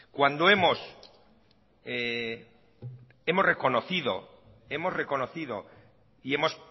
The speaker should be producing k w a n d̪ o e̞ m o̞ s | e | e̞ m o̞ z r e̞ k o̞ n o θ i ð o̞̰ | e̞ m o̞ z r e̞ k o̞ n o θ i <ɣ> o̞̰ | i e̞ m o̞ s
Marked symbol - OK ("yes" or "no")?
no